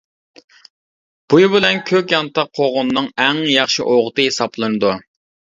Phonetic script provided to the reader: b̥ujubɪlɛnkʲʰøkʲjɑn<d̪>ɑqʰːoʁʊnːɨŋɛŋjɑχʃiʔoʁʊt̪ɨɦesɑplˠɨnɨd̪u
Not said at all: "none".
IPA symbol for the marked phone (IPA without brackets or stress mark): t̪